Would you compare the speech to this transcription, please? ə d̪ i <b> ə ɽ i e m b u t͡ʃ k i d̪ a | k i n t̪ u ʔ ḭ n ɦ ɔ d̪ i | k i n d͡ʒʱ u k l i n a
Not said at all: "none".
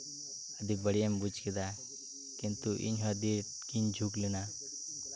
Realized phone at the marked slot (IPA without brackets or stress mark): b